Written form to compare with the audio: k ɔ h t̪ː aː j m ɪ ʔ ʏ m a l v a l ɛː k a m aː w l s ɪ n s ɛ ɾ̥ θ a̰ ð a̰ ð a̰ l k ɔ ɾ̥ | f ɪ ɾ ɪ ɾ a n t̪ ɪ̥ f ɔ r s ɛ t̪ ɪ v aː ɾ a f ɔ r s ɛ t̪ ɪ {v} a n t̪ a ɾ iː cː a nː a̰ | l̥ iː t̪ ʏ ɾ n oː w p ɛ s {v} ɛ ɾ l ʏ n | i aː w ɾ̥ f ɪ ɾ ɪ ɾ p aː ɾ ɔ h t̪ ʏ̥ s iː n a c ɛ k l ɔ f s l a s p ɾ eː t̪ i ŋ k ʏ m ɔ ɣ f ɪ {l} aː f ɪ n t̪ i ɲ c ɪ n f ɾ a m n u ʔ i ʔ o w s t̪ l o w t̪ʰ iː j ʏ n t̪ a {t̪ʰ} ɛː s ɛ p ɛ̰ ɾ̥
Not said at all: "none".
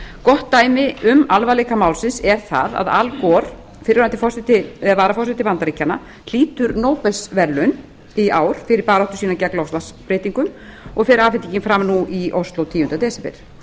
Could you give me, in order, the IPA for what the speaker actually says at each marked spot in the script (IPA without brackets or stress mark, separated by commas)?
v, v, ɾ, t̪